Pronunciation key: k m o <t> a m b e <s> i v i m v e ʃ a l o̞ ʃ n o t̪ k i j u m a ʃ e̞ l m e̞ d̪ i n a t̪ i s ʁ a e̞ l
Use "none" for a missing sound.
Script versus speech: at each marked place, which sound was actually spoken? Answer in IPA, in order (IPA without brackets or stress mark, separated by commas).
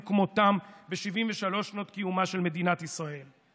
t, ʃ